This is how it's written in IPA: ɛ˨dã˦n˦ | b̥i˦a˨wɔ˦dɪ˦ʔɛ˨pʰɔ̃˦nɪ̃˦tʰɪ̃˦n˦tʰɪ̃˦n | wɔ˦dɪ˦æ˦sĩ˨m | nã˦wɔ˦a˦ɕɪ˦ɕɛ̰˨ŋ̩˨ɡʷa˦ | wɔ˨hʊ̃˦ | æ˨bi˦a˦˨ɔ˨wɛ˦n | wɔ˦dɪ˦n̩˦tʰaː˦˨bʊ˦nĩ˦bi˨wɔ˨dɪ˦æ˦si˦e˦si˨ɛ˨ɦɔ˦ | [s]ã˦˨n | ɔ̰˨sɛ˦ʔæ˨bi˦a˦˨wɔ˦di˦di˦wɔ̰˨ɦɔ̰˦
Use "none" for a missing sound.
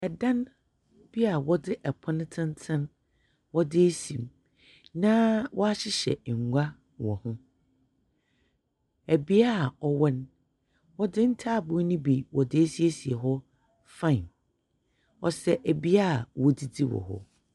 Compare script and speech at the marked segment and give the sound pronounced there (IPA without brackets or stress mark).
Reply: f